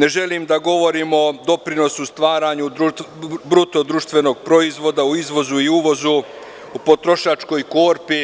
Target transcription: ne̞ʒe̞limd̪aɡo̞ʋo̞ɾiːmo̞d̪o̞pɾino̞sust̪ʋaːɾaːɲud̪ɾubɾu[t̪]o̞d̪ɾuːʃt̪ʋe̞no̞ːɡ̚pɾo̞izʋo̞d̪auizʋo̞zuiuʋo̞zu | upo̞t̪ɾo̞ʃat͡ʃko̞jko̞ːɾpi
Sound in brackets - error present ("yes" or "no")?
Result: no